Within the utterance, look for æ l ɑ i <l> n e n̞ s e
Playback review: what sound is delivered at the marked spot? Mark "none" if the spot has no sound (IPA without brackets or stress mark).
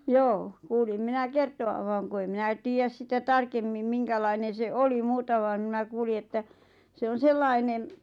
none